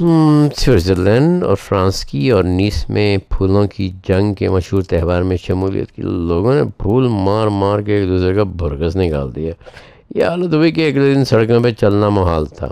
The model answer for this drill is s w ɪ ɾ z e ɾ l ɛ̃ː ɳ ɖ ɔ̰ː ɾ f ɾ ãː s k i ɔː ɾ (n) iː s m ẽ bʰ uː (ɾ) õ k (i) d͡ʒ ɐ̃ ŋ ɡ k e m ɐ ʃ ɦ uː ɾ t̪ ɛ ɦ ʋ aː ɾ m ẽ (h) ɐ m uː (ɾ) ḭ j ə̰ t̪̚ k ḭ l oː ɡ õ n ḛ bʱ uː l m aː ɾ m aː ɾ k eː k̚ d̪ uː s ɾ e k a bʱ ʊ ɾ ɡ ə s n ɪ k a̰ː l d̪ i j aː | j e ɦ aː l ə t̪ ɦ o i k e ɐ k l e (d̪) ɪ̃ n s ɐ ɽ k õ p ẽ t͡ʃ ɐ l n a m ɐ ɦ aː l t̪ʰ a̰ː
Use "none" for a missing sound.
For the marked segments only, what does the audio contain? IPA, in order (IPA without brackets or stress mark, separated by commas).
n, l, i, ʃ, l, d̪